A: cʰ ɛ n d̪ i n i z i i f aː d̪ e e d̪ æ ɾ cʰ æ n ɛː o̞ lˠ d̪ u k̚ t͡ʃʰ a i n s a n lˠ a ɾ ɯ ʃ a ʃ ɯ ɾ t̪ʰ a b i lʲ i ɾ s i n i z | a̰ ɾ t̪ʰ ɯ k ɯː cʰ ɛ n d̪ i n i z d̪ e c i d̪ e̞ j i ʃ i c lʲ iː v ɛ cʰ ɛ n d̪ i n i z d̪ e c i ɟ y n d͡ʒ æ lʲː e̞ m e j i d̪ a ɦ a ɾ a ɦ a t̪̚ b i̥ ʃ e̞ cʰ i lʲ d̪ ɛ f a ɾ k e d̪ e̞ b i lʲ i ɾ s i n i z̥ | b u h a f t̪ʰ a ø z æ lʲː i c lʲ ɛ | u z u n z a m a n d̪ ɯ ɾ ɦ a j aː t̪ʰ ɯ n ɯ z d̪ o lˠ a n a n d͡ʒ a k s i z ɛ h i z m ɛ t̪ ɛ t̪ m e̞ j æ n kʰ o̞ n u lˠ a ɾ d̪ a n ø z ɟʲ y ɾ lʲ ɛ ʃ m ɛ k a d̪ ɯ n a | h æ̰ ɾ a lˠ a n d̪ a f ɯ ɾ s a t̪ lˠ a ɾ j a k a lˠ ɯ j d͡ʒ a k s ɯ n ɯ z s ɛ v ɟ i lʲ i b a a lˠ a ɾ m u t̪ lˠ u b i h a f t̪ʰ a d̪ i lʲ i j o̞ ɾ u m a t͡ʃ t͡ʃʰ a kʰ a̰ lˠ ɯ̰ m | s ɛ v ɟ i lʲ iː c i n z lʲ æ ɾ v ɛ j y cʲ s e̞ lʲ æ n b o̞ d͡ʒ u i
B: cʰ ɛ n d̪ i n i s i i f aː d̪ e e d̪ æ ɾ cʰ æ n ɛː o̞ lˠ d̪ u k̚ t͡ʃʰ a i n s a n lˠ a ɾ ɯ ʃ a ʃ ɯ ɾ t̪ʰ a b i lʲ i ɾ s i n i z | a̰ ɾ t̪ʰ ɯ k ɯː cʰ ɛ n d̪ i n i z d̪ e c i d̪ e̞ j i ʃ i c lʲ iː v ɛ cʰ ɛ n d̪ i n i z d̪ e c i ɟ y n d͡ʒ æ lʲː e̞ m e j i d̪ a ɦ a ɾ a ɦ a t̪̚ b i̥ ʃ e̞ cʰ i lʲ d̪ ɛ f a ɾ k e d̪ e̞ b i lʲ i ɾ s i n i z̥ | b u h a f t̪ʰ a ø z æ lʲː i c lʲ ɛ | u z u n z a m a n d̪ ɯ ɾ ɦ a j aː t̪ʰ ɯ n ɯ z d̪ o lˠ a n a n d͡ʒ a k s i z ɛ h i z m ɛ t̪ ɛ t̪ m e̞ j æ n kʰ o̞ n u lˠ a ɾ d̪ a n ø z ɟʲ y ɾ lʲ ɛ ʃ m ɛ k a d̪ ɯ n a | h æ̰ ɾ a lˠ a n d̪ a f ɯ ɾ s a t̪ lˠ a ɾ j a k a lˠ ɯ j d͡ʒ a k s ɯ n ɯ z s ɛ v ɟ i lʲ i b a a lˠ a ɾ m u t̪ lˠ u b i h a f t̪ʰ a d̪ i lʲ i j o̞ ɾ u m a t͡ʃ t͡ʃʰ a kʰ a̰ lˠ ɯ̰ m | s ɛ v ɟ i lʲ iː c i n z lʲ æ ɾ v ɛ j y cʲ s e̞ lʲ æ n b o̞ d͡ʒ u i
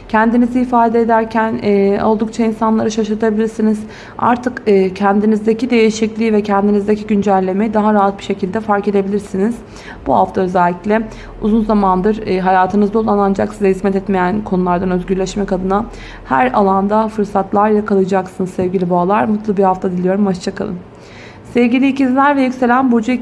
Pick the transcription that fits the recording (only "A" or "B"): A